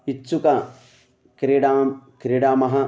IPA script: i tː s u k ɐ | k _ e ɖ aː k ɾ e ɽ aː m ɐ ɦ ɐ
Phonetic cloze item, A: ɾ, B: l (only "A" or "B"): A